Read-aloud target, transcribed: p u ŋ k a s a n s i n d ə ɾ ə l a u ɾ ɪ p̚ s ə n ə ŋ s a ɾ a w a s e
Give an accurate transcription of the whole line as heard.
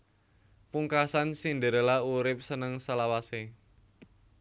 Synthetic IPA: p u ŋ k a s a n s i n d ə ɾ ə l a u ɾ ɪ p̚ s ə n ə ŋ s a l a w a s e